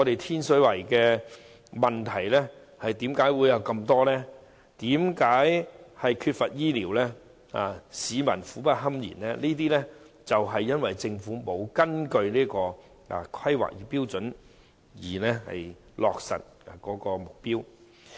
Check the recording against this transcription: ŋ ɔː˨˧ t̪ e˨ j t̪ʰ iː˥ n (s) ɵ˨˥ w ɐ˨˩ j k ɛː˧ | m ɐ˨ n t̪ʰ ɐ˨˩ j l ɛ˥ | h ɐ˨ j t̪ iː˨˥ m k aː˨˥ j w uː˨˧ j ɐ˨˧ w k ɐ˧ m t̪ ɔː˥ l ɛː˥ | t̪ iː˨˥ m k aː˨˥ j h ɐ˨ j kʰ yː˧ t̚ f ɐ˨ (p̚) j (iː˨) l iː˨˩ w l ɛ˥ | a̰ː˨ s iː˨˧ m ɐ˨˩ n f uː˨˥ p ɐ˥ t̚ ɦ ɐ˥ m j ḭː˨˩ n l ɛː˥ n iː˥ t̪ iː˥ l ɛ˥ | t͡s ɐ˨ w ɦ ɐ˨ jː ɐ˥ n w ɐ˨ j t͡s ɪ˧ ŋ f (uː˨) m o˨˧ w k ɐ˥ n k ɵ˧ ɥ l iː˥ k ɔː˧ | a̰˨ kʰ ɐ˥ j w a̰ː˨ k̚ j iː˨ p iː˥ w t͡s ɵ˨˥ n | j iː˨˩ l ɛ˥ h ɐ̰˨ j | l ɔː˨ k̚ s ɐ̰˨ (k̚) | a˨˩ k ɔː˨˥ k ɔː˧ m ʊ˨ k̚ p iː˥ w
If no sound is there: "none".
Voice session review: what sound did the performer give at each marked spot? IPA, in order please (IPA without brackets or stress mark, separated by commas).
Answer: s, t̚, iː˥, uː˨˥, t̚